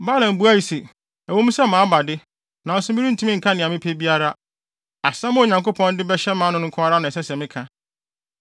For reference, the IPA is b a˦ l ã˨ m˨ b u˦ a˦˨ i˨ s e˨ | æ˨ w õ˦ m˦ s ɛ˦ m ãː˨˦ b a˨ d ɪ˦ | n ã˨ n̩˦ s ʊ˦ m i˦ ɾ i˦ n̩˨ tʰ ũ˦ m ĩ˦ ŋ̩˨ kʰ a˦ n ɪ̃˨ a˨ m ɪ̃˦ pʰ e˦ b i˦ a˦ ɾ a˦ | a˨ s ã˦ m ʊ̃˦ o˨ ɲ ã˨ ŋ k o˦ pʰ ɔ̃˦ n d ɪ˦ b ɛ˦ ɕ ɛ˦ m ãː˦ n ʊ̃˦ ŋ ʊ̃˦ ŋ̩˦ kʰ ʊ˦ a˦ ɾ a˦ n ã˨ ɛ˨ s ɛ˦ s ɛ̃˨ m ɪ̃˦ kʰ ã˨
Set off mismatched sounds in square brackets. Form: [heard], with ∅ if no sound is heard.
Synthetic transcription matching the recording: b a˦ l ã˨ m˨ b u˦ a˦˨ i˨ s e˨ | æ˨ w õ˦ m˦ s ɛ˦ m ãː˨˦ b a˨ d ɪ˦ | n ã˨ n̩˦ s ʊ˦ m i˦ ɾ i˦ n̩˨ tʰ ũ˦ m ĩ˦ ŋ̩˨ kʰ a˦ n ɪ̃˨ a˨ m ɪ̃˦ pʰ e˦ b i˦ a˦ ɾ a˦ | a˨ s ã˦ m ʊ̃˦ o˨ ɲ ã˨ ŋ k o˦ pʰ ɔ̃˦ n d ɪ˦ b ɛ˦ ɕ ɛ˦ m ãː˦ n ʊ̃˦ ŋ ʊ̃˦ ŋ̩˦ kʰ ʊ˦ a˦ ɾ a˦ n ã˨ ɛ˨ s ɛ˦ s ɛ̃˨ m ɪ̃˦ kʰ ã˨